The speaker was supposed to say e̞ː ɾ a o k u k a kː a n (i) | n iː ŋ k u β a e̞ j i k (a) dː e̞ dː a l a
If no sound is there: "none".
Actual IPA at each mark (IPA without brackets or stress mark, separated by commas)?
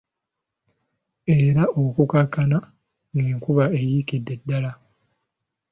a, i